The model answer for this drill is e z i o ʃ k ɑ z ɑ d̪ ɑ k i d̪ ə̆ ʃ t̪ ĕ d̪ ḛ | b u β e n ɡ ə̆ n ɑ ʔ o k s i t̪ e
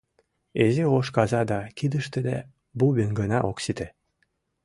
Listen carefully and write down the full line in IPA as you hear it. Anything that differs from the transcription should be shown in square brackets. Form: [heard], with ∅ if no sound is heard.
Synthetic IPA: e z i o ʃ k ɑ z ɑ d̪ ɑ k i d̪ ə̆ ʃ t̪ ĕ d̪ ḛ | b u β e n ɡ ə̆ n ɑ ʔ o k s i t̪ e